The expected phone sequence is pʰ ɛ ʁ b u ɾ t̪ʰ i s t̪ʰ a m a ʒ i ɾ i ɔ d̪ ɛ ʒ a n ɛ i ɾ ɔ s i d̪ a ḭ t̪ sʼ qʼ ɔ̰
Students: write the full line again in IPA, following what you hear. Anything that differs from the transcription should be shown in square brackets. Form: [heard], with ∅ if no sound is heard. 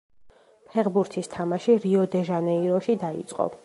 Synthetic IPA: pʰ ɛ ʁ b u ɾ t̪ʰ i s t̪ʰ a m a [ʃ] i ɾ i ɔ d̪ ɛ ʒ a n ɛ i ɾ ɔ [ʃ] i d̪ a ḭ t̪ sʼ qʼ ɔ̰